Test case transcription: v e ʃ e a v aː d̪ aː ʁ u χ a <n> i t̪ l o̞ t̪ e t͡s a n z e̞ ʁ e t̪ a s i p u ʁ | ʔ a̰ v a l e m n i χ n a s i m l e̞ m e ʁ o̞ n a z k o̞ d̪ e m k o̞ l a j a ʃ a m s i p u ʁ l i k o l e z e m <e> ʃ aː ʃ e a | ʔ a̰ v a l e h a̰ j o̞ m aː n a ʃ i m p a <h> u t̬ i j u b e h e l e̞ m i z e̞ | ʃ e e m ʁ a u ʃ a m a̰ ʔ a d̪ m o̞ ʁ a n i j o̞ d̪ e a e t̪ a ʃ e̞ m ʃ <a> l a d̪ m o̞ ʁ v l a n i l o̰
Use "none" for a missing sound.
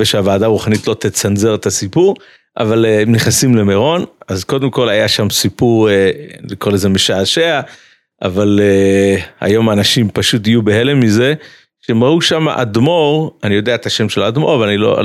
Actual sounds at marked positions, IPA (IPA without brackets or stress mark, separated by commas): n, e, ʃ, e